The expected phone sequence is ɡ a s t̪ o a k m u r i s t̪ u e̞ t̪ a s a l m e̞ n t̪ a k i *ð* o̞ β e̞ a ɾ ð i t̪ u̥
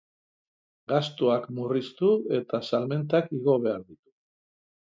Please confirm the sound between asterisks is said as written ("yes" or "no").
no